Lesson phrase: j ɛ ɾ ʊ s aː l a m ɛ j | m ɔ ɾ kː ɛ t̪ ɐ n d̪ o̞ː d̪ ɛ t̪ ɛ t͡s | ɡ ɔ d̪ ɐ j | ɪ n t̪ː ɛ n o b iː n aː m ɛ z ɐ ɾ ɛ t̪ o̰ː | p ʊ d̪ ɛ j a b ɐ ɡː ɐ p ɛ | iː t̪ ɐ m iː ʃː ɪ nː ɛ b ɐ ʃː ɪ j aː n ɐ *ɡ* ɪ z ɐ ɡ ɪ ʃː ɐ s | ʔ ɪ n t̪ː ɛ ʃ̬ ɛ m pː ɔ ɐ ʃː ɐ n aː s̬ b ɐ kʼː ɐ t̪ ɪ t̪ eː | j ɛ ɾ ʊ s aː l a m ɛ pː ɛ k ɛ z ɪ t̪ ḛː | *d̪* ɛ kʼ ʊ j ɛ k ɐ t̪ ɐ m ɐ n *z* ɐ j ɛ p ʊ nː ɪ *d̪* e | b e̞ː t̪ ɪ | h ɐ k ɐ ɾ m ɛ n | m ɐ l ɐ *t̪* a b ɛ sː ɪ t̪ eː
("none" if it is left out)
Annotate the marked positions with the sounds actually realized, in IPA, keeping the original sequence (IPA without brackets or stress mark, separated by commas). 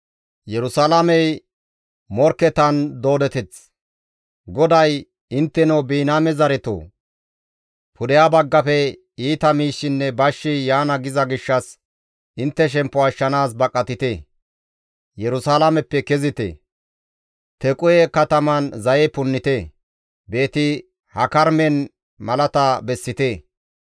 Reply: ɡ, t̪, z, t̪, t̪